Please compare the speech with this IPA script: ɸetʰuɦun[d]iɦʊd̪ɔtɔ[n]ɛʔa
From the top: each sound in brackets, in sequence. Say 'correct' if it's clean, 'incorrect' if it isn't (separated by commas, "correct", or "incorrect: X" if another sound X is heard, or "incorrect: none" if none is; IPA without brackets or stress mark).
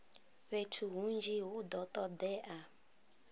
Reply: incorrect: d͡ʒ, incorrect: d